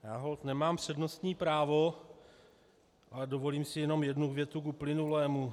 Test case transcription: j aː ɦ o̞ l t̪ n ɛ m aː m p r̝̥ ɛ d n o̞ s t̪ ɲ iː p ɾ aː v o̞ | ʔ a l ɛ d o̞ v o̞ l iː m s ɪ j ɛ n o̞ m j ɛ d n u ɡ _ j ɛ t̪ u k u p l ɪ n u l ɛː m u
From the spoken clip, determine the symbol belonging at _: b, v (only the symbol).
v